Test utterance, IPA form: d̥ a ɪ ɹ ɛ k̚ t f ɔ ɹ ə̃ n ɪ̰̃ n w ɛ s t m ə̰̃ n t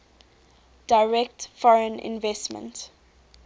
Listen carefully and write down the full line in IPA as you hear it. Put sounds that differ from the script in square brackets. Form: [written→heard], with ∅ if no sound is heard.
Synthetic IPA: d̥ a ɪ ɹ ɛ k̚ t f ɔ ɹ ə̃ n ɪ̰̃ n [w→v] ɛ s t m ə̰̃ n t